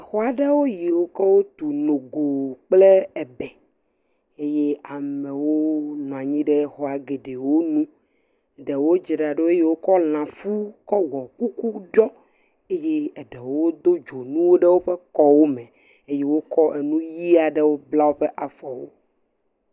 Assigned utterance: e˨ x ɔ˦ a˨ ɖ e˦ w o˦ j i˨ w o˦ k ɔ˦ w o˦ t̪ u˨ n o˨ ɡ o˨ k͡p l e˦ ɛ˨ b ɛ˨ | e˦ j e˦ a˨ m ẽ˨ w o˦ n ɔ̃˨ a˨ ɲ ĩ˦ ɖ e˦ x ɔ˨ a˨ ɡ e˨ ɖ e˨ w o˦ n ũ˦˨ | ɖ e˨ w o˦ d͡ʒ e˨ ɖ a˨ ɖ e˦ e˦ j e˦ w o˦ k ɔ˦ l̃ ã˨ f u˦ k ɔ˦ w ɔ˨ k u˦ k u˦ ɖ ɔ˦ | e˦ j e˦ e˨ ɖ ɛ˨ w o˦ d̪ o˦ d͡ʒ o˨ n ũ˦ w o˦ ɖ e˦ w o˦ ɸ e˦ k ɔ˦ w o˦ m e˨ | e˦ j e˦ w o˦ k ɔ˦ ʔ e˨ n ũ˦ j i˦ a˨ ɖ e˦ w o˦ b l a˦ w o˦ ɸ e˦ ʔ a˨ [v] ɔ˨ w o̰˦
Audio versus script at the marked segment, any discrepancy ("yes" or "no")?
yes